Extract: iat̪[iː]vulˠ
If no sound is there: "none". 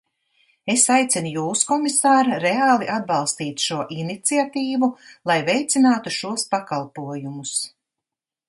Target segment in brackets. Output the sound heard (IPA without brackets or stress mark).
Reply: iː